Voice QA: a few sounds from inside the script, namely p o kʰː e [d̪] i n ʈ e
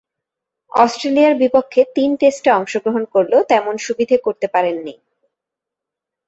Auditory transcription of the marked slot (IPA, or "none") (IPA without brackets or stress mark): t̪